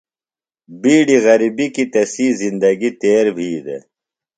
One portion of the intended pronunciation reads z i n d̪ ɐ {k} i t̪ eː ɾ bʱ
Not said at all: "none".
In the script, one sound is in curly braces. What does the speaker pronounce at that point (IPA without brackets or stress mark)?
ɡ